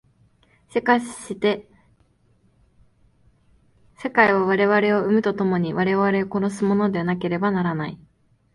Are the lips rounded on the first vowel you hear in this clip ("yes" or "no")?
no